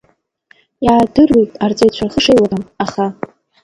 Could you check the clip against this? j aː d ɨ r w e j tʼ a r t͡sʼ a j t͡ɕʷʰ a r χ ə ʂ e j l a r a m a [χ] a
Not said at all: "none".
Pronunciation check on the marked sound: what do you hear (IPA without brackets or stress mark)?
χ